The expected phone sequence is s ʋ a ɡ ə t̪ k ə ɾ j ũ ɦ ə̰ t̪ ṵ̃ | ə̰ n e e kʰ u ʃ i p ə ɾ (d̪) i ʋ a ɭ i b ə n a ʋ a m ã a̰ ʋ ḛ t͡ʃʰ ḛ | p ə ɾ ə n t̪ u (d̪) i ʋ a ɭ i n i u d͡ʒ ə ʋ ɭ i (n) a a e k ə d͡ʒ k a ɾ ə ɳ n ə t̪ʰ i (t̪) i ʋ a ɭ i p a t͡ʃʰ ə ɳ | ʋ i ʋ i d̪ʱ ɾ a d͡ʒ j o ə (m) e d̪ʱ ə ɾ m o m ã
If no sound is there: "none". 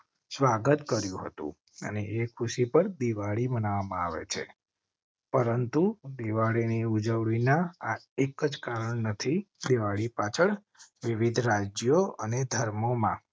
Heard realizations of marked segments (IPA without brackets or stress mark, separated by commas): d̪, d̪, n, d̪, n